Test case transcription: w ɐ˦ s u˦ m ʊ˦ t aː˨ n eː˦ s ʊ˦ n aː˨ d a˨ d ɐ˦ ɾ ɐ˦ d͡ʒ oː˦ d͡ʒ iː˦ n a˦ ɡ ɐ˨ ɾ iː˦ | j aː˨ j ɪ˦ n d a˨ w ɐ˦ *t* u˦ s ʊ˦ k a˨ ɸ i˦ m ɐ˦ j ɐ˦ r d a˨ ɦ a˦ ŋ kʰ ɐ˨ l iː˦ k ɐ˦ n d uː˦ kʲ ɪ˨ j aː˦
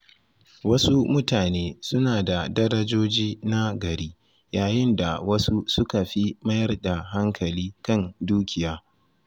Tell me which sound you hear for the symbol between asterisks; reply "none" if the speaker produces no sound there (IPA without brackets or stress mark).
s